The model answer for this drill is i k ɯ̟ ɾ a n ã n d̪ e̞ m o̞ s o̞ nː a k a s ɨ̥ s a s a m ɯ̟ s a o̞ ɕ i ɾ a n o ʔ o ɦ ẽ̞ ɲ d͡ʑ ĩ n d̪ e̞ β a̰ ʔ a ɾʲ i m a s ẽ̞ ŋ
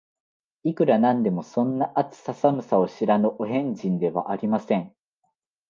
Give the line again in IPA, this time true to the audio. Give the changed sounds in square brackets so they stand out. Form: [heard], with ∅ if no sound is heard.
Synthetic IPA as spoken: i k ɯ̟ ɾ a n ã n d̪ e̞ m o̞ s [õ̞] nː a [ʔ] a [t͡s] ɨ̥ s a s a m ɯ̟ s a o̞ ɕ i ɾ a n o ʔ o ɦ ẽ̞ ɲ d͡ʑ ĩ n d̪ e̞ β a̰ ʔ a ɾʲ i m a s ẽ̞ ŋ

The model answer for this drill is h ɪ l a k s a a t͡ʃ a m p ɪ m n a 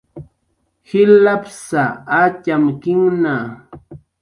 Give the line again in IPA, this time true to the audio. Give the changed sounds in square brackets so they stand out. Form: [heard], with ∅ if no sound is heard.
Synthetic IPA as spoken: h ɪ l a [p] s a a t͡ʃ a m [k] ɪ [ŋ] n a

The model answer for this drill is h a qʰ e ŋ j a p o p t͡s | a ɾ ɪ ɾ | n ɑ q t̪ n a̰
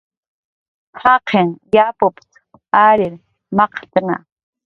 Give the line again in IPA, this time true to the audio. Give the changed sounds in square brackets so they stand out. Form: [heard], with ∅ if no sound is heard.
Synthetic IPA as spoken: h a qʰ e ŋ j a p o p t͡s | a ɾ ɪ ɾ | [m] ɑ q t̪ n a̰

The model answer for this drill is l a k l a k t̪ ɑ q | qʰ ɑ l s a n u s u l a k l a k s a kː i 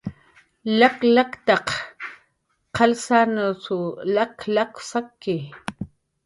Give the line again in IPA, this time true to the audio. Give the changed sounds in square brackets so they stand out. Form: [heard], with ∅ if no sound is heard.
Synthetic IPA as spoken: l a k l a k t̪ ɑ q | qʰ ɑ l s a n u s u l a k l a k s a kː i

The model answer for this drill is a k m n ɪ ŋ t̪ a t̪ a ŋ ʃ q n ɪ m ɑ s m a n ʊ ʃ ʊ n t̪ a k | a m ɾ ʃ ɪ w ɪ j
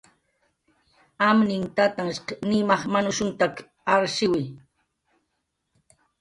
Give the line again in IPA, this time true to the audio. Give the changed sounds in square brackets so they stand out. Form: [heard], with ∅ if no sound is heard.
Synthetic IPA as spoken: a [∅] m n ɪ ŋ t̪ a t̪ a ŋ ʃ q n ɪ m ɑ [χ] m a n ʊ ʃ ʊ n t̪ a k | a [∅] ɾ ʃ ɪ w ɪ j

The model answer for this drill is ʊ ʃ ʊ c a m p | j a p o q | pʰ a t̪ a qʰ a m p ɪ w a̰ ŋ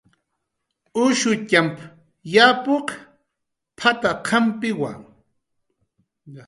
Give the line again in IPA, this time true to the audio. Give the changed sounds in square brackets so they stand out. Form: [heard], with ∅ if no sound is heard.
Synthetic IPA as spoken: ʊ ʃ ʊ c a m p | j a p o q | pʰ a t̪ a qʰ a m p ɪ w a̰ ŋ

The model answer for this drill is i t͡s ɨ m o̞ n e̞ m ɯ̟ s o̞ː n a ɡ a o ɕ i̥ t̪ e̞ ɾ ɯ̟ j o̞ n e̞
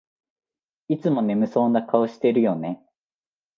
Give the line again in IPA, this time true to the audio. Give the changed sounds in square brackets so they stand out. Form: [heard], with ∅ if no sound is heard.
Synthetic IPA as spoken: i t͡s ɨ m o̞ n e̞ m ɯ̟ s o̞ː n a [k] a o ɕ i̥ t̪ e̞ ɾ ɯ̟ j o̞ n e̞

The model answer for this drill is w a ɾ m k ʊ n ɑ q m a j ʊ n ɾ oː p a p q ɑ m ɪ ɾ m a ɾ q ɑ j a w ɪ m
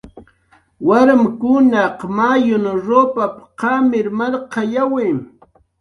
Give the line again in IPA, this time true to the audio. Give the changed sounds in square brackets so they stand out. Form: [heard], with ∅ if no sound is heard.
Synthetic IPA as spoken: w a ɾ m k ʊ n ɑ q m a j ʊ n ɾ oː p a p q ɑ m ɪ ɾ m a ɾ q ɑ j a w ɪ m

